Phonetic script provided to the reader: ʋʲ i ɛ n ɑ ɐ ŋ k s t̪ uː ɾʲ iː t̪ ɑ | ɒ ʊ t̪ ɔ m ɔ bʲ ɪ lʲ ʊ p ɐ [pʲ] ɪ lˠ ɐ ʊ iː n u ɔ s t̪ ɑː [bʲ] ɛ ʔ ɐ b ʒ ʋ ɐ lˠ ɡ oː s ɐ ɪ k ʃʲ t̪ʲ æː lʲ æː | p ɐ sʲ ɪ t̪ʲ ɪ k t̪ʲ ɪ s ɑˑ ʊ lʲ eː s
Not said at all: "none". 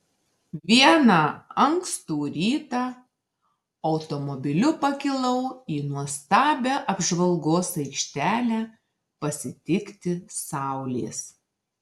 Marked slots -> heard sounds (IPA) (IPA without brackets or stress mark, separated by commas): kʲ, bʲ